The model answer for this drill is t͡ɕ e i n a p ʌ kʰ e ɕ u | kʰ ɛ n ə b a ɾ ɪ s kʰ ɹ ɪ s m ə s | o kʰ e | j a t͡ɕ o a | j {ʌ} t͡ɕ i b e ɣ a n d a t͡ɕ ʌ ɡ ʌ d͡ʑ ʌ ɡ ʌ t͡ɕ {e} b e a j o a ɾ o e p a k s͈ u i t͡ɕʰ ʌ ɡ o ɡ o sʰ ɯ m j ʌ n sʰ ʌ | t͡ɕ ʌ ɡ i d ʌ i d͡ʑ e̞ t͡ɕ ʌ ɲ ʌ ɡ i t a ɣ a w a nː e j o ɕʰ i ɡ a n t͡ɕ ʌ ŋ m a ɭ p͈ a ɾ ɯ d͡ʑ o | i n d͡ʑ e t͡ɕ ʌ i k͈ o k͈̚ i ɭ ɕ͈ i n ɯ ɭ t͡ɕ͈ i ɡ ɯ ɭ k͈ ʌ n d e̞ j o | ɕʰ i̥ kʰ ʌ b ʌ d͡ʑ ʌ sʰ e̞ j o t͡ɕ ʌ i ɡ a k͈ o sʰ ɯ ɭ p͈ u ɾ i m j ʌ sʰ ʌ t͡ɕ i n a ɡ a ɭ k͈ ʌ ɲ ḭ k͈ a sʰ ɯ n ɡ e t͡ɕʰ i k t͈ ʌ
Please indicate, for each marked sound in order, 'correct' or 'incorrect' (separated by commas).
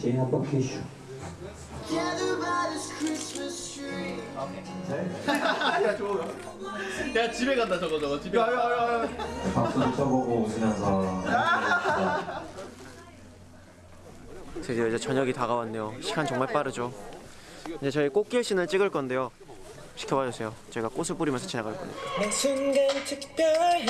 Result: incorrect, incorrect